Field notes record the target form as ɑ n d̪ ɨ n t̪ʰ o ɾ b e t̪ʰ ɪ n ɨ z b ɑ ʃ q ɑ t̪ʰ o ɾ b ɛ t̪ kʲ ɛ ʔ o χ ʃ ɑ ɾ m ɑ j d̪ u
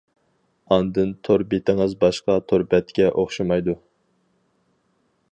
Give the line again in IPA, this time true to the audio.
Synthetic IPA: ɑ n d̪ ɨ n t̪ʰ o ɾ b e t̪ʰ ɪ ŋ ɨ z b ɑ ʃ q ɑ t̪ʰ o ɾ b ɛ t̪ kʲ ɛ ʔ o χ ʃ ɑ m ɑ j d̪ u